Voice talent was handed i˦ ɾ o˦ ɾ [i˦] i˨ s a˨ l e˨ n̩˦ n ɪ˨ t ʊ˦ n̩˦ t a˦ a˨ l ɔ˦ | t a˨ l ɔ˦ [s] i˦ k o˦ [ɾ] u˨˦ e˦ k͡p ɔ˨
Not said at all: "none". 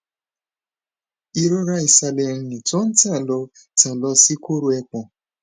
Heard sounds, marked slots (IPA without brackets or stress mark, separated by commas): a˦, s, ɾ